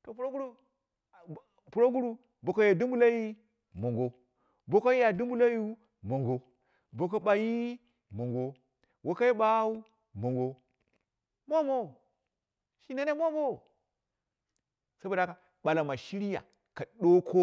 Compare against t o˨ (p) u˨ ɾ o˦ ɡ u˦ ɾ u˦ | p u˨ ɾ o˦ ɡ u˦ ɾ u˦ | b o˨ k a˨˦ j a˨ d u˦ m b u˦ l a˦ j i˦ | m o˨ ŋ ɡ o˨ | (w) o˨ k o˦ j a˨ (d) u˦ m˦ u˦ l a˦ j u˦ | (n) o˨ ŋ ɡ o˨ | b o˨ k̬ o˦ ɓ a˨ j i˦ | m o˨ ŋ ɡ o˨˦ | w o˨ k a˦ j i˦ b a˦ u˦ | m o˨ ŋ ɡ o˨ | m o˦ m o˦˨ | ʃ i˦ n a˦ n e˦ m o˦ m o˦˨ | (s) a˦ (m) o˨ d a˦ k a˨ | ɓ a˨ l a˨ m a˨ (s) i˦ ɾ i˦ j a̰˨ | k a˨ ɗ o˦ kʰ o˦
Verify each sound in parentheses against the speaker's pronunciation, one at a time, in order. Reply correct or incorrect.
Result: correct, incorrect, correct, incorrect, correct, incorrect, incorrect

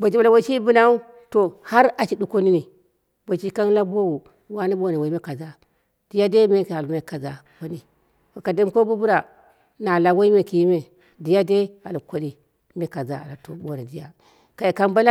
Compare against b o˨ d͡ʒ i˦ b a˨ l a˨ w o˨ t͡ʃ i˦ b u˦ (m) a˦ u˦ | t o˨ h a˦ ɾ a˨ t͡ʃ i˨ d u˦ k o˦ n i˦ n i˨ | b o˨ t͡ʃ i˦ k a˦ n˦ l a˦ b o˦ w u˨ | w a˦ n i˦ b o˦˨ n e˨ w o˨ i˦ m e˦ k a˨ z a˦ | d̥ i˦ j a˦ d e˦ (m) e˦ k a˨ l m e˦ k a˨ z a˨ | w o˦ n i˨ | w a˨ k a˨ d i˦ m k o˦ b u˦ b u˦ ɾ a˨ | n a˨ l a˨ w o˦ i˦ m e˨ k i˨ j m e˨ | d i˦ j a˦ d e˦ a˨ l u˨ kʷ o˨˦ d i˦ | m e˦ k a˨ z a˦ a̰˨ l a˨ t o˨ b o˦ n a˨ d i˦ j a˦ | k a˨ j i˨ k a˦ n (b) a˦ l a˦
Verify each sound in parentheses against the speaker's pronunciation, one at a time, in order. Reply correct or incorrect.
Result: incorrect, correct, correct

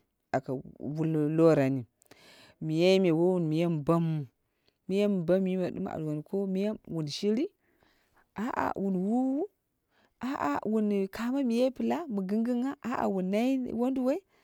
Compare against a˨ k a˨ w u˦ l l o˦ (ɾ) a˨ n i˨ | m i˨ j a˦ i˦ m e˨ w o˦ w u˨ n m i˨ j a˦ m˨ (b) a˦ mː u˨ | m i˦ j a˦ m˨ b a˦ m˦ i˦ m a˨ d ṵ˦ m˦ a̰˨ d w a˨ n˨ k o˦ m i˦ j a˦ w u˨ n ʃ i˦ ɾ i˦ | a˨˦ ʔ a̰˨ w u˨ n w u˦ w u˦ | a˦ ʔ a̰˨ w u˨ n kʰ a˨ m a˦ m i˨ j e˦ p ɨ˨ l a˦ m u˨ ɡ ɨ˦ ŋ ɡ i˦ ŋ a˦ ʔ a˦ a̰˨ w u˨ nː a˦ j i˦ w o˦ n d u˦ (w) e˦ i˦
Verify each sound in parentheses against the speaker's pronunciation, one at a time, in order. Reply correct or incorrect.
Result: correct, correct, correct

